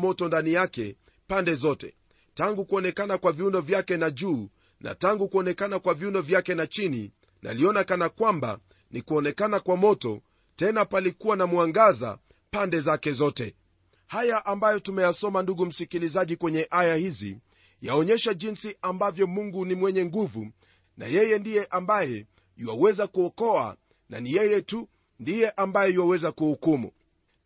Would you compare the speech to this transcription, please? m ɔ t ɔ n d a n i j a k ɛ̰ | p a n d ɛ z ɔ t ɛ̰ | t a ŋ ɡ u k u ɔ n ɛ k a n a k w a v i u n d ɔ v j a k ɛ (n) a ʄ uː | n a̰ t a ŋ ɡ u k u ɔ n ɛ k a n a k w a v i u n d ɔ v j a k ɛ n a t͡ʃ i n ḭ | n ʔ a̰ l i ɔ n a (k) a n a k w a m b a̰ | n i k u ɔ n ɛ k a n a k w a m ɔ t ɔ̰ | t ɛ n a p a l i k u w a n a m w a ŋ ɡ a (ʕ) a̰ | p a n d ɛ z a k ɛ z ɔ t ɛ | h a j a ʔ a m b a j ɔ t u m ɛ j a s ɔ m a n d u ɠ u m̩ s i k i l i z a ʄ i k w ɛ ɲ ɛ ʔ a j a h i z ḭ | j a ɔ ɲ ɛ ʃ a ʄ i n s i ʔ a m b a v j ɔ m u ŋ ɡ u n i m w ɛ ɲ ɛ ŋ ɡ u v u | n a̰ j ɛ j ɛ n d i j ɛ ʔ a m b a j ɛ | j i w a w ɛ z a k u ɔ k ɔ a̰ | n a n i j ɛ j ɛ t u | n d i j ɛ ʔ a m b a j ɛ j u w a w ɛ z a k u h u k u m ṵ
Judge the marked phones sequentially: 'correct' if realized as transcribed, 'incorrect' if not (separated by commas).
correct, correct, incorrect